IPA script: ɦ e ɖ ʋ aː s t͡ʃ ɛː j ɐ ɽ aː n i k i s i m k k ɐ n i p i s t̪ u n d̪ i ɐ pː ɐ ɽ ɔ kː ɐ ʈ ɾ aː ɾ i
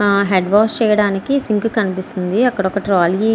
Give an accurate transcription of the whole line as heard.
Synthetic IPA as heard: ɦ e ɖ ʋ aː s t͡ʃ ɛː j ɐ ɽ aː n i k i s i ŋ k k ɐ n i p i s t̪ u n d̪ i ɐ kː ɐ ɽ ɔ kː ɐ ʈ ɾ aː l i

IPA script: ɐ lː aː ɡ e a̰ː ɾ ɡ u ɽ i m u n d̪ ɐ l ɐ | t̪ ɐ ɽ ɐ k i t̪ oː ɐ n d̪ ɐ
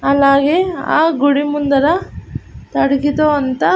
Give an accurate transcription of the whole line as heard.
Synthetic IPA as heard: ɐ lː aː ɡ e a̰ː ɡ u ɽ i m u n d̪ ɐ ɾ ɐ | t̪ ɐ ɽ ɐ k i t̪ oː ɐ n t̪ ɐ

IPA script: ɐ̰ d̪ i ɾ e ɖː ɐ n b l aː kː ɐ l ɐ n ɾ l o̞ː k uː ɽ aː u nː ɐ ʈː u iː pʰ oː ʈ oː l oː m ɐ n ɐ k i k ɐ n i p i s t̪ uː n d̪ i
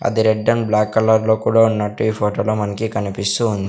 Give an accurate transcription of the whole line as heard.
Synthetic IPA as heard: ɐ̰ d̪ i ɾ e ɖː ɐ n b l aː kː ɐ l ɐ ɾ l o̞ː k uː ɽ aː u nː ɐ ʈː u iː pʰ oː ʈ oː l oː m ɐ n ɐ k i k ɐ n i p i s t̪ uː n d̪ i

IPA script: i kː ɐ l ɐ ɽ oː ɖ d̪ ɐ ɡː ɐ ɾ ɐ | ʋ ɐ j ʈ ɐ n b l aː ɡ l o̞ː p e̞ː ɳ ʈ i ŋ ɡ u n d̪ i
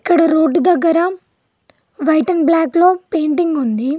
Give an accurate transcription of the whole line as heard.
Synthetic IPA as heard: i kː ɐ ɽ ɐ ɾ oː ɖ d̪ ɐ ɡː ɐ ɾ ɐ | ʋ ɐ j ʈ ɐ n b l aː k l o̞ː p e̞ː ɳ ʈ i ŋ ɡ u n d̪ i

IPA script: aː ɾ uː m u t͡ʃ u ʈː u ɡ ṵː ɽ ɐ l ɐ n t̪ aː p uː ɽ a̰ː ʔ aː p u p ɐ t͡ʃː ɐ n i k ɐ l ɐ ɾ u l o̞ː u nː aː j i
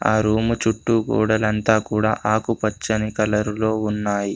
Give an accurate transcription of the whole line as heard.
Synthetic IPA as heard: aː ɾ uː m u t͡ʃ u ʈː u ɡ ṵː ɽ ɐ l ɐ n t̪ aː k uː ɽ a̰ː ʔ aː k u p ɐ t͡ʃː ɐ n i k ɐ l ɐ ɾ u l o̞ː u nː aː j i

